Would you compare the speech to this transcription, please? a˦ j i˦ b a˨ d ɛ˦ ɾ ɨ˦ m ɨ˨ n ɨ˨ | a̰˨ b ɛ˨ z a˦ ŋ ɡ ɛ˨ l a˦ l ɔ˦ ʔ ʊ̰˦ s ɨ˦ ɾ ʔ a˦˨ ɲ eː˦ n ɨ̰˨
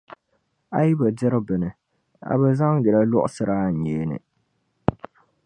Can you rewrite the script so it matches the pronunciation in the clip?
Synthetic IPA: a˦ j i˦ b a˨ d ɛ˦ ɾ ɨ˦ b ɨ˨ n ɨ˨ | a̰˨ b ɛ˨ z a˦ ŋ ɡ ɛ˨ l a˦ l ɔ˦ ʔ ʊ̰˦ s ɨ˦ ɾ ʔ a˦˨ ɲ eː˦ n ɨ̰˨